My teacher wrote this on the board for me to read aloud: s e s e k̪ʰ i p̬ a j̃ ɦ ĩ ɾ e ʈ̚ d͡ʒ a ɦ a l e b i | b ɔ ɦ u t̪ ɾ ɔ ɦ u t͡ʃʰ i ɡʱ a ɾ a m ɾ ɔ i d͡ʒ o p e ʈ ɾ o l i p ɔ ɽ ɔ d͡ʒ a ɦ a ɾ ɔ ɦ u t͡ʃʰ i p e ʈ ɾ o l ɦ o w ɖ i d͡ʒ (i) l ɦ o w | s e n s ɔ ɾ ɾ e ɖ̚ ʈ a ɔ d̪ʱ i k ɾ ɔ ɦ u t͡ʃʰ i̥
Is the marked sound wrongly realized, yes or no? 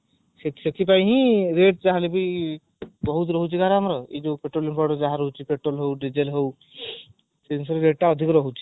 yes